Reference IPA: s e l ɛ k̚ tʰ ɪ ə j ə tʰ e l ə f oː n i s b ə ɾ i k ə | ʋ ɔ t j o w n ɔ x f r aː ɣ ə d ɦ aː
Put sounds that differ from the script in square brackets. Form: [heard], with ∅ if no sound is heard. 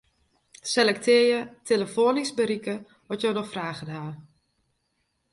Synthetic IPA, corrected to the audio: s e l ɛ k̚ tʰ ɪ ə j ə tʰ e l ə f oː n i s b ə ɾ i k ə | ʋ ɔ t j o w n ɔ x f r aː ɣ ə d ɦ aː